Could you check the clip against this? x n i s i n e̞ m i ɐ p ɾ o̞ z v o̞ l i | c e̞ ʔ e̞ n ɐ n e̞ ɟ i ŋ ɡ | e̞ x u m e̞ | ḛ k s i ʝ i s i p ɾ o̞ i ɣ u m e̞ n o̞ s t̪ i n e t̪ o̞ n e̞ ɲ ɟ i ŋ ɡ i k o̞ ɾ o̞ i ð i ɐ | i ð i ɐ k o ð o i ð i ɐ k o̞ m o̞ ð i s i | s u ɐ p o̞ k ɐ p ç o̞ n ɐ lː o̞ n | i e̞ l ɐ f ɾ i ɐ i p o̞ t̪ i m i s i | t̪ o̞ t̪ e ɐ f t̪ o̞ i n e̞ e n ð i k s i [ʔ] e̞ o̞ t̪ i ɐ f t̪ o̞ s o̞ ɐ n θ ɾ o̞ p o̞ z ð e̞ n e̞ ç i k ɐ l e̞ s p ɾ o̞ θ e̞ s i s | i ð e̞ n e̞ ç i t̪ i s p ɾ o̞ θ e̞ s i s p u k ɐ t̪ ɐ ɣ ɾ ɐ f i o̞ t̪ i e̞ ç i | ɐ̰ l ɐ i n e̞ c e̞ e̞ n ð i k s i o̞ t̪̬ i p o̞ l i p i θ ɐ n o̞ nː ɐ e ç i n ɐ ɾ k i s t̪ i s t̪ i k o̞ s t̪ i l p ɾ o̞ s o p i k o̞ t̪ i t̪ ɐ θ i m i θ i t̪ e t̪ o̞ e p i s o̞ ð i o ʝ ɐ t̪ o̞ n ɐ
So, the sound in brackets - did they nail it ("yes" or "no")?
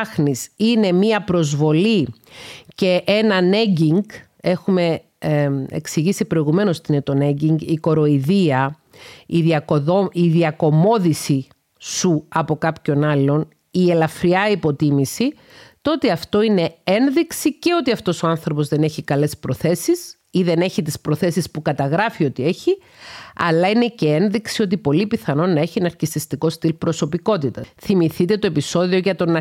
no